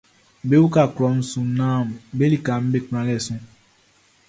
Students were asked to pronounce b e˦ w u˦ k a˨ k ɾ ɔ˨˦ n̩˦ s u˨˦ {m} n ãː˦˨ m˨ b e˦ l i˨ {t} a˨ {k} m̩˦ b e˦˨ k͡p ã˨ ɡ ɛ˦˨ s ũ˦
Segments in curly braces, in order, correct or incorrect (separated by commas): incorrect, incorrect, incorrect